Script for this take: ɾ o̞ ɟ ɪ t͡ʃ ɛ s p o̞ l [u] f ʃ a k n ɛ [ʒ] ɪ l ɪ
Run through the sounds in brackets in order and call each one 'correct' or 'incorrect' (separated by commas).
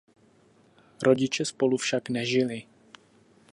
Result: correct, correct